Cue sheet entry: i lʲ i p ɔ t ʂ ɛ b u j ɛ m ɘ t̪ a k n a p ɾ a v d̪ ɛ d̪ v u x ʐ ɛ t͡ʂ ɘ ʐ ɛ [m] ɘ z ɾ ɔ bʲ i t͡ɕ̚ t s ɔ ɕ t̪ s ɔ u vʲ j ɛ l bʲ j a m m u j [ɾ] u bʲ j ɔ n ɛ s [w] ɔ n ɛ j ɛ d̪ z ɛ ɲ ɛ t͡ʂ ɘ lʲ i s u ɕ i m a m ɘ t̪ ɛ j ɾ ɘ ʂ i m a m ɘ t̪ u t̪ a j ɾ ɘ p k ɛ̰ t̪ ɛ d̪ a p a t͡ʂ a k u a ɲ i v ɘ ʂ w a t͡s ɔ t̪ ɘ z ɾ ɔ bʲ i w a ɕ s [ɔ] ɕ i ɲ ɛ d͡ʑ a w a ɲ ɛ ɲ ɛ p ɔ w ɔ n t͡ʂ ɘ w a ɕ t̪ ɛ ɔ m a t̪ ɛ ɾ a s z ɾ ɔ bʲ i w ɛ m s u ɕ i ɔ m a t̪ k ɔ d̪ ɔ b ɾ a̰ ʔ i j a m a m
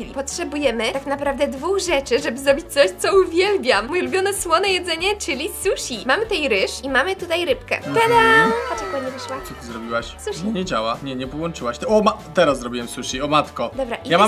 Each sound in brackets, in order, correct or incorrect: incorrect: b, incorrect: l, correct, incorrect: u

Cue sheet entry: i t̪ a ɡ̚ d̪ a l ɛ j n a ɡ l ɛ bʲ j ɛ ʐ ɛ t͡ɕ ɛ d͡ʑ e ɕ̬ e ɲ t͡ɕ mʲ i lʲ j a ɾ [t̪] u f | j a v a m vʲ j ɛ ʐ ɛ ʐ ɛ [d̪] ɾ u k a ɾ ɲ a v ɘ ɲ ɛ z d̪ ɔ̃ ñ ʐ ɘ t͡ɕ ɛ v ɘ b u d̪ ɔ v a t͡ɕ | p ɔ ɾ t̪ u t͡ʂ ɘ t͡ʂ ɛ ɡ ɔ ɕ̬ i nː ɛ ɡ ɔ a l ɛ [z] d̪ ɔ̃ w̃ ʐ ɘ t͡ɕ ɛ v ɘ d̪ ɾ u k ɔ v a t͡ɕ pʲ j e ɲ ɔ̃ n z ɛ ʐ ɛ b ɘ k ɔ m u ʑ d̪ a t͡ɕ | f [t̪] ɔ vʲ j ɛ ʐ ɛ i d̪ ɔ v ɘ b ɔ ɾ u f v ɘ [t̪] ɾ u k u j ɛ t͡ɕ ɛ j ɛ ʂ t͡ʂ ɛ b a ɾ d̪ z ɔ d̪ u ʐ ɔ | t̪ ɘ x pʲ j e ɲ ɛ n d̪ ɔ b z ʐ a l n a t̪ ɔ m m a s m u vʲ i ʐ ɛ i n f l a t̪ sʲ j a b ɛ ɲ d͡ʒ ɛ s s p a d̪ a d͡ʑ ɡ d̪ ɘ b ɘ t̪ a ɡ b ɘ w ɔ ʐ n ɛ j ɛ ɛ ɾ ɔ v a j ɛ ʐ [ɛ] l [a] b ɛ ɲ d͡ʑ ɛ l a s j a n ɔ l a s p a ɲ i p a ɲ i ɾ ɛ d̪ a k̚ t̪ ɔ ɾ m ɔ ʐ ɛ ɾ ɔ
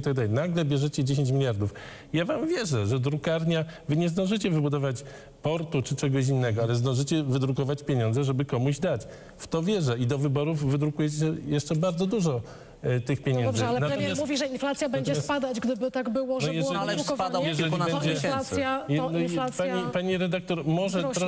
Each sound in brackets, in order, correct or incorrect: incorrect: d̪, correct, correct, correct, incorrect: d̪, correct, incorrect: i

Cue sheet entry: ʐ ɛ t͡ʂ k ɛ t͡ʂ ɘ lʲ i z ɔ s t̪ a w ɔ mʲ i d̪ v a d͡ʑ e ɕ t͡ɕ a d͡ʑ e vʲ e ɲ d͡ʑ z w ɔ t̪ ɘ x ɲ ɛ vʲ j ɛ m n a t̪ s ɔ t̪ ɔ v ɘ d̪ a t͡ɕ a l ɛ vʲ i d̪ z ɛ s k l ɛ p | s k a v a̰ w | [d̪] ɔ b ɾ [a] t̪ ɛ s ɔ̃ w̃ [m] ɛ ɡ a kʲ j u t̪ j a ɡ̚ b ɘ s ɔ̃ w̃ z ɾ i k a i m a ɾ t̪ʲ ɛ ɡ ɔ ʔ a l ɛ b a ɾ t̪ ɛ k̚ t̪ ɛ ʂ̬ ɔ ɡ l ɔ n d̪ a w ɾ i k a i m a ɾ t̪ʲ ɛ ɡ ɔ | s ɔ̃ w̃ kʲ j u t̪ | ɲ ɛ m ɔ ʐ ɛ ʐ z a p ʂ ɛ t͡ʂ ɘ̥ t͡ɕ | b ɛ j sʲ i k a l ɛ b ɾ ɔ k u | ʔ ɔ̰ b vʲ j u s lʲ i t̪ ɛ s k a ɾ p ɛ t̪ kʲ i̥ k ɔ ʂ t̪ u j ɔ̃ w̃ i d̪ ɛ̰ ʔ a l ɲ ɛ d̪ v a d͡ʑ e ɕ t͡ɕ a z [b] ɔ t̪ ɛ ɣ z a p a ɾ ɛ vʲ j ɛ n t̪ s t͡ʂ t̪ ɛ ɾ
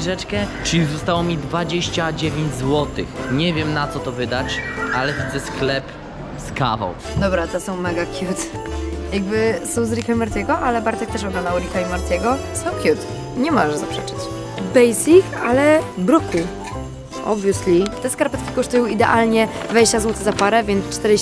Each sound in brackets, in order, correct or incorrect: correct, correct, correct, incorrect: w

